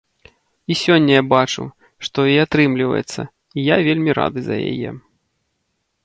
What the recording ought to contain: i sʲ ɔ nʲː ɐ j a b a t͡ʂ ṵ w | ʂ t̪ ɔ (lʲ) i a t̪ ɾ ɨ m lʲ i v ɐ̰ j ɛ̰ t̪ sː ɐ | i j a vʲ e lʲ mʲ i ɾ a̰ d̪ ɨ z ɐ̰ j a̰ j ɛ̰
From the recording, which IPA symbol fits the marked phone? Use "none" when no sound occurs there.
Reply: none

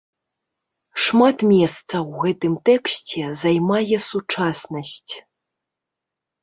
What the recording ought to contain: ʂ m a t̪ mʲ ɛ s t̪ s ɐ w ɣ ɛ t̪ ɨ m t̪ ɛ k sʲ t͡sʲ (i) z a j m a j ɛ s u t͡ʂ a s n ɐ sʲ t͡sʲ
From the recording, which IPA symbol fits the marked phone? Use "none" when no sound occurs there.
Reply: ɛ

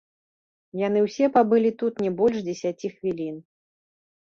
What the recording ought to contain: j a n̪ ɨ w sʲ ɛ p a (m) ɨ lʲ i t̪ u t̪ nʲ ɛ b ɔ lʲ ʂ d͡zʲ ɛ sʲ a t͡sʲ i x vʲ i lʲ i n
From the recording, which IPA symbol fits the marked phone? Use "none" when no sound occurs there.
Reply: b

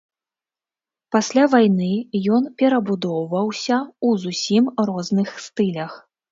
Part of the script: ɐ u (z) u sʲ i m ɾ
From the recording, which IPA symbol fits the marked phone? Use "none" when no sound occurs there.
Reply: z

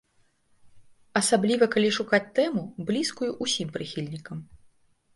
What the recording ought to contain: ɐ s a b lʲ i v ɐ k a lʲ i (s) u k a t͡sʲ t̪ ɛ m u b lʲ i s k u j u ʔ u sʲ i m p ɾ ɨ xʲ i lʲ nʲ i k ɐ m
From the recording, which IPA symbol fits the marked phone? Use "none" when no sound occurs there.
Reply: ʂ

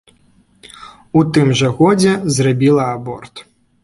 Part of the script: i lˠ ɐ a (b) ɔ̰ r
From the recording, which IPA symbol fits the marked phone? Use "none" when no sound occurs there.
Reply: b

